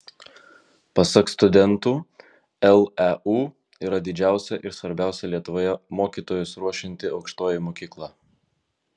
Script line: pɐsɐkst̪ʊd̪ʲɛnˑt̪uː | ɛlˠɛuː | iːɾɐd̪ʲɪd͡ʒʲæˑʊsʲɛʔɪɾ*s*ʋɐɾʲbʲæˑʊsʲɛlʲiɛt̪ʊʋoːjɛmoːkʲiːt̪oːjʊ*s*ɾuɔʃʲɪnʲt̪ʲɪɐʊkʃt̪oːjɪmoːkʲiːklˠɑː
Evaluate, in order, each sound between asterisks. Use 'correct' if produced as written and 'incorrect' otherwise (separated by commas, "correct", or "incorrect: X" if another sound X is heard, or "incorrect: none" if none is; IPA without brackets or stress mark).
correct, correct